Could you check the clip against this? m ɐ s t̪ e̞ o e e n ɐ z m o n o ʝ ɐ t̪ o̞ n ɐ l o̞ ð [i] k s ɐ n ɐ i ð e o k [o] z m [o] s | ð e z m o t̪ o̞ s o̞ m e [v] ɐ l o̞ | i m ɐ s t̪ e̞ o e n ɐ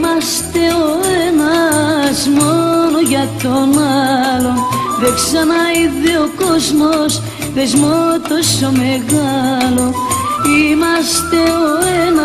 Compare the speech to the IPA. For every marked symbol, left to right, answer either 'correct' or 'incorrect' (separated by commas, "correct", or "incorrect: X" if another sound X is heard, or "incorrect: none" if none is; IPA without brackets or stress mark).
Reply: incorrect: e, correct, correct, incorrect: ɣ